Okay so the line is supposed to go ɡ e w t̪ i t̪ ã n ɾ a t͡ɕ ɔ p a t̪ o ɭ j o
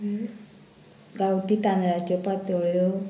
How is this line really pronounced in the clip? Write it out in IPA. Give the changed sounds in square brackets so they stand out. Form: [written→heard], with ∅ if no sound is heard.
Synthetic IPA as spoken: ɡ [e→a] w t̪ i t̪ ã n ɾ a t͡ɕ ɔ p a t̪ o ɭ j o

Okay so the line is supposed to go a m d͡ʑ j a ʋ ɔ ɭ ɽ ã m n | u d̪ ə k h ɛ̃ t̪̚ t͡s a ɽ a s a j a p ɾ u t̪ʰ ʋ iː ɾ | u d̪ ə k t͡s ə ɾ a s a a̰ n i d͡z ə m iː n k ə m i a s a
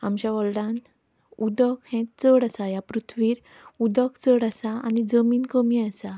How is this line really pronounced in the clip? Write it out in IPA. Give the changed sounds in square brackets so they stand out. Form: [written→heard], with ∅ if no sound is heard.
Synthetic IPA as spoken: a m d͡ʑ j a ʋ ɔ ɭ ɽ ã [m→∅] n | u d̪ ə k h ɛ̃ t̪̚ t͡s [a→ə] ɽ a s a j a p ɾ u t̪ʰ ʋ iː ɾ | u d̪ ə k t͡s ə [ɾ→ɽ] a s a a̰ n i d͡z ə m iː n k ə m i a s a

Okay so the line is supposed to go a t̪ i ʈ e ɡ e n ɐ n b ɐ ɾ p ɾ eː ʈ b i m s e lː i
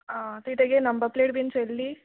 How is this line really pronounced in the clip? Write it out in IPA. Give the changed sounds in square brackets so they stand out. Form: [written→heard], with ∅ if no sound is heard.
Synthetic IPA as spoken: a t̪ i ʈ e ɡ e n ɐ [n→m] b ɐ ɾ p [ɾ→l] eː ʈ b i [m→n] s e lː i

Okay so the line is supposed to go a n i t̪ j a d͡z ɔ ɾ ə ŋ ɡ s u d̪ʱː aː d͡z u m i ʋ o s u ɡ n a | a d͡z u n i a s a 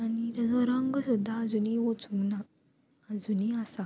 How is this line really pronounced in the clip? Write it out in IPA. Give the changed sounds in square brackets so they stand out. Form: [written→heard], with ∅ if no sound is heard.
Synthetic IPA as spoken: a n i t̪ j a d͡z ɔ ɾ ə ŋ ɡ s u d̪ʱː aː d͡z u [m→n] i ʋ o [s→t͡s] u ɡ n a | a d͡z u n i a s a

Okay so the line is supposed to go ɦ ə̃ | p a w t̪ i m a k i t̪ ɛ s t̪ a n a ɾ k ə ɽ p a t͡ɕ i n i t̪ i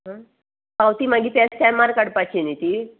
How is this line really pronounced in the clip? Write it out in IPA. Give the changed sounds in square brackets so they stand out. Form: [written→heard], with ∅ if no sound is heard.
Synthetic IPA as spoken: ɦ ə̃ | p a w t̪ i m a [k→ɡ] i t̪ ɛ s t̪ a [n→m] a ɾ k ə ɽ p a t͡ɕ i n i t̪ i

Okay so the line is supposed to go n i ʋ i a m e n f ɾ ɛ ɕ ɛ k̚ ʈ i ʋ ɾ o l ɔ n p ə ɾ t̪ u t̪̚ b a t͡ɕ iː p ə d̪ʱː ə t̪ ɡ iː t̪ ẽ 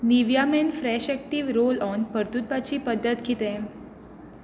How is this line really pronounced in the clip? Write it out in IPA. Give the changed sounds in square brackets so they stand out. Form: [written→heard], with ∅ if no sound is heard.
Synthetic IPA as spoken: n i ʋ [i→j] a m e n f ɾ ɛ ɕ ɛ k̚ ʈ i ʋ ɾ o l ɔ n p ə ɾ t̪ u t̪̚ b a t͡ɕ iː p ə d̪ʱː ə t̪ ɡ [iː→i] t̪ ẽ

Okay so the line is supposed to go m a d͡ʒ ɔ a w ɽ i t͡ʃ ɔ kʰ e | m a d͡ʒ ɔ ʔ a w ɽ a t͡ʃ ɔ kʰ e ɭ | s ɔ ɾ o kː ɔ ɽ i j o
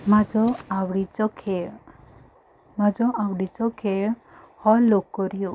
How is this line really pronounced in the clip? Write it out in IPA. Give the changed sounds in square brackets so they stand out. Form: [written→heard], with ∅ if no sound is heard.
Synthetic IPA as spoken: m a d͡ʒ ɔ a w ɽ i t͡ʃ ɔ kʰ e | m a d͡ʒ ɔ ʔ a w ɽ [a→i] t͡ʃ ɔ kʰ e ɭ | [s→h] ɔ [ɾ→l] o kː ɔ [ɽ→ɾ] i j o

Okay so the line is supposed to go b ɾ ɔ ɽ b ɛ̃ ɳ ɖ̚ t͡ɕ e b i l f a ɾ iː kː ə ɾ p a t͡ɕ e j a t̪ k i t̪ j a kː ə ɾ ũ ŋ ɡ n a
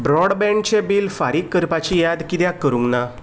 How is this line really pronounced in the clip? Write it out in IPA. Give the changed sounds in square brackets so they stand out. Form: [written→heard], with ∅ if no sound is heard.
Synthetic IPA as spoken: b ɾ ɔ ɽ b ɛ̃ ɳ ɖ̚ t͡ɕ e b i l f a ɾ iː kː ə ɾ p a t͡ɕ [e→i] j a [t̪→d̪] k i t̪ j a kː ə ɾ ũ ŋ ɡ n a

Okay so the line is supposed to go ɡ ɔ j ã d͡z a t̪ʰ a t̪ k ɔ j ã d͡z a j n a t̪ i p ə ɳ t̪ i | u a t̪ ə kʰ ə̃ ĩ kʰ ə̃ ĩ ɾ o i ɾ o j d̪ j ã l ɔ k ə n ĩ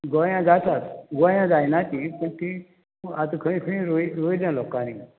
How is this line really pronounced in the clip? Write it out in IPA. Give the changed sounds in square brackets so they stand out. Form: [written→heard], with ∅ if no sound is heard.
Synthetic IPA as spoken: ɡ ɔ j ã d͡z a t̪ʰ a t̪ [k→ɡ] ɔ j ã d͡z a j n a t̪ i p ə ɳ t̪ i | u a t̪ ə kʰ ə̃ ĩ kʰ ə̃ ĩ ɾ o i ɾ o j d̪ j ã l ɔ k [ə→a] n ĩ

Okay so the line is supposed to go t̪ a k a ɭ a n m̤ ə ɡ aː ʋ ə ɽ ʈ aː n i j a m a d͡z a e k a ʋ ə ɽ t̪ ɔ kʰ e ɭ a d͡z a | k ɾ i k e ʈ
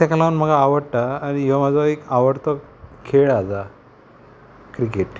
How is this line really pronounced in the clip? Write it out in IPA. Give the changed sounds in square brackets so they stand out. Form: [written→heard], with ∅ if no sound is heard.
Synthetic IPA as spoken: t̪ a k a [ɭ→l] a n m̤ ə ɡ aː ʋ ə ɽ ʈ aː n i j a m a d͡z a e k a ʋ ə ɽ t̪ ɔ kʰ e ɭ a d͡z a | k ɾ i k e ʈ

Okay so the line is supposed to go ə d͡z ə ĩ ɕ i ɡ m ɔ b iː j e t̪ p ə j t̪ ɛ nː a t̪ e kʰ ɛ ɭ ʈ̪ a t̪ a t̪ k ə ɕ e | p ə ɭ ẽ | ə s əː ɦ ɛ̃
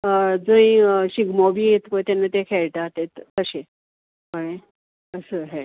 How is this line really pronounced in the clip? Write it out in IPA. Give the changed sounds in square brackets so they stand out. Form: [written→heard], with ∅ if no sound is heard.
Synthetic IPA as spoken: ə d͡z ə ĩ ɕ i ɡ m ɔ b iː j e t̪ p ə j t̪ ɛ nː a t̪ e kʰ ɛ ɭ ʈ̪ a t̪ [a→e] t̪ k ə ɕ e | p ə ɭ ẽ | ə s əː ɦ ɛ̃

